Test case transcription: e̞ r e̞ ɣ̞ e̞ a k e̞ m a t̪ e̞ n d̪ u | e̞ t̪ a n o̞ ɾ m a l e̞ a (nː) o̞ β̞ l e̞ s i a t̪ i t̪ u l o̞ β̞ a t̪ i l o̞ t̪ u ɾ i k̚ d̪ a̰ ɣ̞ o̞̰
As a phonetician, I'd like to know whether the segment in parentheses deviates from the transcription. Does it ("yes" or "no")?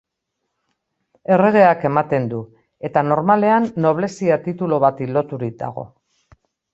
no